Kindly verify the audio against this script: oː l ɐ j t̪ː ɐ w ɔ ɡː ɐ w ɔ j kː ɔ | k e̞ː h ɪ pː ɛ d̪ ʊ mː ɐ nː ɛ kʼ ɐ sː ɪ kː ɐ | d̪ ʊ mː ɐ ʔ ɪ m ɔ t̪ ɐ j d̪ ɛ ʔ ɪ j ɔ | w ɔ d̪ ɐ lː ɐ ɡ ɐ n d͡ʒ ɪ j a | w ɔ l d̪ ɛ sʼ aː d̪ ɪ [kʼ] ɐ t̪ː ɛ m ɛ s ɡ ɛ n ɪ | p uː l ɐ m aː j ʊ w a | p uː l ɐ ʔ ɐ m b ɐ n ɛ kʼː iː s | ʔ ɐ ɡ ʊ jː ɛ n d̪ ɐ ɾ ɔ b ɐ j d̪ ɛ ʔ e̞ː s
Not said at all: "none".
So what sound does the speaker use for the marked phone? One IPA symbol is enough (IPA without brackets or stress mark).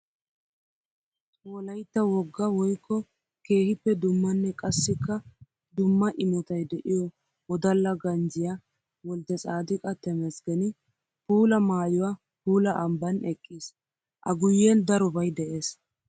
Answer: kʼ